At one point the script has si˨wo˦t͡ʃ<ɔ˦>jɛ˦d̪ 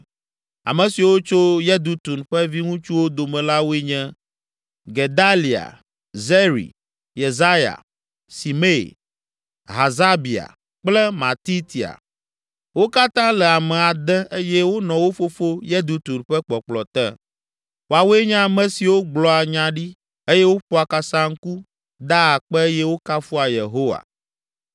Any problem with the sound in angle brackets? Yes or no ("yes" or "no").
yes